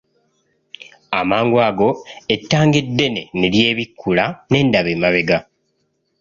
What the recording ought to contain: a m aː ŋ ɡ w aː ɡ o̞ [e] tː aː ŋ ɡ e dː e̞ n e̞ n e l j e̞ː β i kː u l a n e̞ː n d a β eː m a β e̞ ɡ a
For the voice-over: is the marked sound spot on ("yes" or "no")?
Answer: yes